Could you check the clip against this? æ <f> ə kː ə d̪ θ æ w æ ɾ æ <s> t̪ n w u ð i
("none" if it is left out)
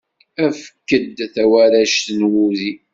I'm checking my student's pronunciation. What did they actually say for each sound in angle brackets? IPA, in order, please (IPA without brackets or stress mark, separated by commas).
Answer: f, ʃ